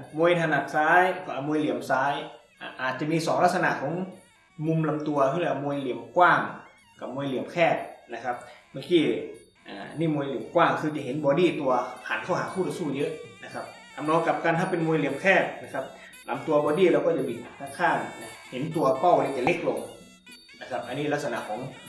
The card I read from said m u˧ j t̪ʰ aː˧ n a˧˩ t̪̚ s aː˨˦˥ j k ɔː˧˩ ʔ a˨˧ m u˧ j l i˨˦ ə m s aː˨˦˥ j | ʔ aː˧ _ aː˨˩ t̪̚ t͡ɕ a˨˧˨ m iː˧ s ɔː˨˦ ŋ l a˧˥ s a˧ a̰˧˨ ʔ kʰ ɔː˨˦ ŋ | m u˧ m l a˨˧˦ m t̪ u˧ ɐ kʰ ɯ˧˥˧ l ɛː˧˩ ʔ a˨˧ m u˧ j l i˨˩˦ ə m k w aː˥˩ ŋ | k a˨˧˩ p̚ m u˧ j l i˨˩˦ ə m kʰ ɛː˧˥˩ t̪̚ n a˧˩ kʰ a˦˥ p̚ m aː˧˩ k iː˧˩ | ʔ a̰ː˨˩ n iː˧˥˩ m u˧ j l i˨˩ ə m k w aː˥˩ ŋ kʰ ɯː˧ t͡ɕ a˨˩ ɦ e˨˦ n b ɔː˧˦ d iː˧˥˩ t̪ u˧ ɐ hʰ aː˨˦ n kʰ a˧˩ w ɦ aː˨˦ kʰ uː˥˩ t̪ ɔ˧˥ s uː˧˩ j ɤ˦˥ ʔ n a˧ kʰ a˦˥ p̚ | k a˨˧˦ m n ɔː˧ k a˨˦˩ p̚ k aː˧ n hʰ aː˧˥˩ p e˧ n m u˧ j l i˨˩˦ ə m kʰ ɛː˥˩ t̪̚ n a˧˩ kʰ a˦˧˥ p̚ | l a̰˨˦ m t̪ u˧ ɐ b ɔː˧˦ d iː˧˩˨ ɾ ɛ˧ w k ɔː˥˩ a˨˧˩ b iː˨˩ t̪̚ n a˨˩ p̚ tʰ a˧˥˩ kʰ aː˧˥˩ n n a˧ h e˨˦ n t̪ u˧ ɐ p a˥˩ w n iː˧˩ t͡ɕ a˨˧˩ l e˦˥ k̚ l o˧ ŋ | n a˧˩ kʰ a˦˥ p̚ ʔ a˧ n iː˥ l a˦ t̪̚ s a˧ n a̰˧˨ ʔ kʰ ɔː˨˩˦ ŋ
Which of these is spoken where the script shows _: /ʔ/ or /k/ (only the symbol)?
ʔ